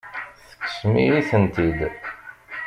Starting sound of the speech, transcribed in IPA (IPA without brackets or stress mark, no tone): θ